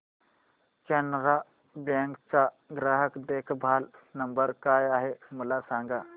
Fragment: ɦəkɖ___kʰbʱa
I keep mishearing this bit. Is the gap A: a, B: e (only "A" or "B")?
B